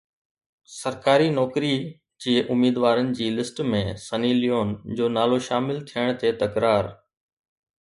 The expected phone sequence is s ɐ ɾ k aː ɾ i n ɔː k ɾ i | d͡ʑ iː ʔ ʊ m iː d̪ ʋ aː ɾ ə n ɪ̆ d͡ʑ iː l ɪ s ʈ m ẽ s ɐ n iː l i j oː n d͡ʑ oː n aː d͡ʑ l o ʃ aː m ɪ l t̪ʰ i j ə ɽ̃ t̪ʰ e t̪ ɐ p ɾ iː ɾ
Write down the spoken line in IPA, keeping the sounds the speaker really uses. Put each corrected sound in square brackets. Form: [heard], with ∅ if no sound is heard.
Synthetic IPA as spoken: s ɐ ɾ k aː ɾ i n ɔː k ɾ i | d͡ʑ iː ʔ ʊ m iː d̪ ʋ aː ɾ ə n ɪ̆ d͡ʑ iː l ɪ s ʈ m ẽ s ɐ n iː l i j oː n d͡ʑ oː n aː [∅] l o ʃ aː m ɪ l t̪ʰ i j ə ɽ̃ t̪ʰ e t̪ ɐ [k] ɾ [aː] ɾ